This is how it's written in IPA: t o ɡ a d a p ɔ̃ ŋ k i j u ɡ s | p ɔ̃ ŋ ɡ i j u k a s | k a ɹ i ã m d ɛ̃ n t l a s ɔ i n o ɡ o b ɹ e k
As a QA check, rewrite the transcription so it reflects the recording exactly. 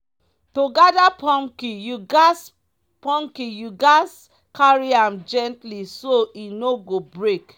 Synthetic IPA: t o ɡ a d a p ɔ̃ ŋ k i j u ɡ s | p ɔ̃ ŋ k i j u ɡ a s | k a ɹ i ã m d͡ʒ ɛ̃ n t l i s o i n o ɡ o b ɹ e k